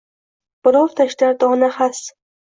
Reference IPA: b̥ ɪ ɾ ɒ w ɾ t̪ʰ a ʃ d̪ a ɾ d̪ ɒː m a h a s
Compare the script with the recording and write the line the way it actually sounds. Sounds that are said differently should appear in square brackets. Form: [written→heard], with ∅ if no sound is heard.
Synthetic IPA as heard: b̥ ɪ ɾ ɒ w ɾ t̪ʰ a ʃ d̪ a ɾ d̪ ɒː [m→n] a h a s